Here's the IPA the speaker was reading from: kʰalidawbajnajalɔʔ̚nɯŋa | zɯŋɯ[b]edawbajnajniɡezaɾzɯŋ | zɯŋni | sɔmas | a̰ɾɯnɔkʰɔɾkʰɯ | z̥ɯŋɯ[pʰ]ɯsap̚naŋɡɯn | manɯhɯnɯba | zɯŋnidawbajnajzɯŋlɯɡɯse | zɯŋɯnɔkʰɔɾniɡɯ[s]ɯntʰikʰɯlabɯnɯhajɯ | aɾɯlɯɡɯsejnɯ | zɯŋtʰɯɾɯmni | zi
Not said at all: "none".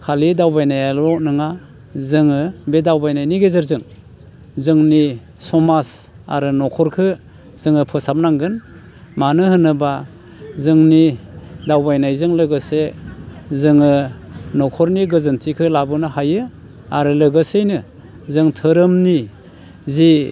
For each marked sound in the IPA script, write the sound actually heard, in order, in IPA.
b, pʰ, z

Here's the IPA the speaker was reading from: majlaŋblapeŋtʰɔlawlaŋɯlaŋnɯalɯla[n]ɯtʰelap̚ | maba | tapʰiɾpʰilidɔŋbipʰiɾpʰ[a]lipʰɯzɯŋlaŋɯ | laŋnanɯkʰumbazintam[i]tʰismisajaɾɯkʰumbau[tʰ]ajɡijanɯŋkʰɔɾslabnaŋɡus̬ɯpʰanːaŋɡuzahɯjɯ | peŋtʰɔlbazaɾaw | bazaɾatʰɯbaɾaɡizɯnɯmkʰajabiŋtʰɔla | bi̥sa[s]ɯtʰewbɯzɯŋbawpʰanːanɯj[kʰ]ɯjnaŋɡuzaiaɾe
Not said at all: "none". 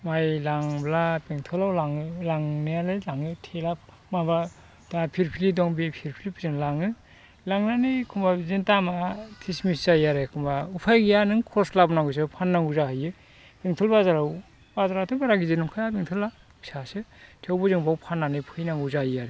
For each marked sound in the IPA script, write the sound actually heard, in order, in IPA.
ŋ, i, a, pʰ, s, pʰ

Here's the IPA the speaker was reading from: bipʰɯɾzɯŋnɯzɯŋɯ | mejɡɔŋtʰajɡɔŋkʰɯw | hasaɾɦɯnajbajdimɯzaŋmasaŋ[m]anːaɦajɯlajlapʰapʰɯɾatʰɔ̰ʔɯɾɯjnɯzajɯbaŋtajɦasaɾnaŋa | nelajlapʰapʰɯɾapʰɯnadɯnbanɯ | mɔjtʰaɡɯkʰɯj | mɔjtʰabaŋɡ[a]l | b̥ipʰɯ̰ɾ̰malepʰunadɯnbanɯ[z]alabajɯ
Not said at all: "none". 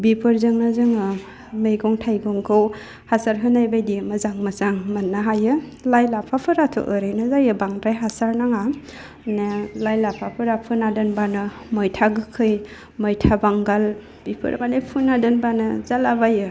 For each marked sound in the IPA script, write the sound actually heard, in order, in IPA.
m, a, z

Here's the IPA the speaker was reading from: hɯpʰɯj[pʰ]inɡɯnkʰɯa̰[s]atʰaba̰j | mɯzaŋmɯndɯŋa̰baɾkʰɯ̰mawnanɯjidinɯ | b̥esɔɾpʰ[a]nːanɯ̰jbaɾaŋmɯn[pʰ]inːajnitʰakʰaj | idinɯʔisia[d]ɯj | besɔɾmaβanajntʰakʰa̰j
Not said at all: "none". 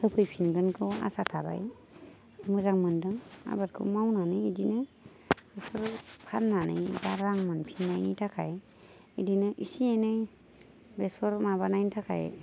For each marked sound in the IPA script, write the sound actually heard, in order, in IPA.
pʰ, s, a, pʰ, n

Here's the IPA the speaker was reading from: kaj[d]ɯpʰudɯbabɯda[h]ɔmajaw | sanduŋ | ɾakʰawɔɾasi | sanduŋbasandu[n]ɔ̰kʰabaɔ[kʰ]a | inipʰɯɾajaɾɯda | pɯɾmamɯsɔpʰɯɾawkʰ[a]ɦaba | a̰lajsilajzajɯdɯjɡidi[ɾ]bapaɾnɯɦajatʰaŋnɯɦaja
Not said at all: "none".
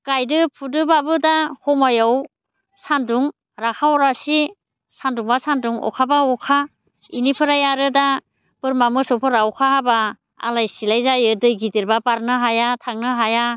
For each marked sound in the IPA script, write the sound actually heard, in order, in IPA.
d, h, ŋ, kʰ, a, ɾ

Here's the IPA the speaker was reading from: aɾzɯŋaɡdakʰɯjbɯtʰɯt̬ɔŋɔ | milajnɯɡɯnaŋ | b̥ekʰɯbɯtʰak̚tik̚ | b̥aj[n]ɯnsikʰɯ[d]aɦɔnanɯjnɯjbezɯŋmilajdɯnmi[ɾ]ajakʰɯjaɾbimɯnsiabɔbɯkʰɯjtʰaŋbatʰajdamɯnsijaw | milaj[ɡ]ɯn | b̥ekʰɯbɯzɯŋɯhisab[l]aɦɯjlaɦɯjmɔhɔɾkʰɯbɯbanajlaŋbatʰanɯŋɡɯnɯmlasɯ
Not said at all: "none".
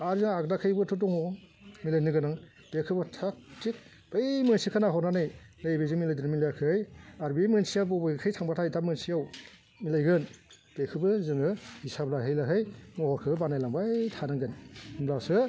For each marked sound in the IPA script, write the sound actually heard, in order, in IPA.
m, n, l, ɡ, l

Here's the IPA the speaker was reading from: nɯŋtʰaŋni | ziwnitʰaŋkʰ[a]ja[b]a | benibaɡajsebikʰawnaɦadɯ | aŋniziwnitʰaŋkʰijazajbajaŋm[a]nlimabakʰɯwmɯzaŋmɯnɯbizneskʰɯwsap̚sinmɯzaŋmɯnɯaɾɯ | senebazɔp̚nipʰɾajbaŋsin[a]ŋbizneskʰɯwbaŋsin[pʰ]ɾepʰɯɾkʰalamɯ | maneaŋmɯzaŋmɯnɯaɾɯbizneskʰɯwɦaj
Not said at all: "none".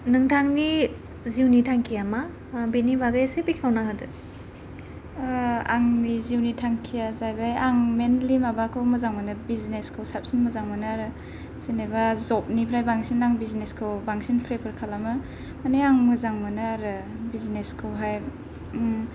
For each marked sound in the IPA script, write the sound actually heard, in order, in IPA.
i, m, e, a, pʰ

